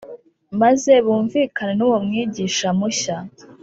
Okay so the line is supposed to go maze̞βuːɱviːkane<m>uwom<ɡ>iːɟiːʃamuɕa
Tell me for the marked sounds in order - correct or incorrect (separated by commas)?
incorrect, incorrect